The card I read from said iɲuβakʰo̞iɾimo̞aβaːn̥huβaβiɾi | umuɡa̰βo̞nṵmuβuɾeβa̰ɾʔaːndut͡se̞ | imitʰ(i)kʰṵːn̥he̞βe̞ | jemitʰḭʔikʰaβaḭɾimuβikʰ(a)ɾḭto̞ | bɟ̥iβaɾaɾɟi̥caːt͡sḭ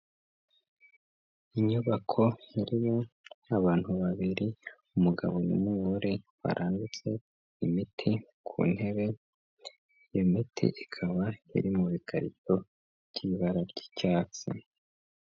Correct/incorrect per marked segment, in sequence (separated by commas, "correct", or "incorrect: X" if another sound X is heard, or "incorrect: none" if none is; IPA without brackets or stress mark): correct, correct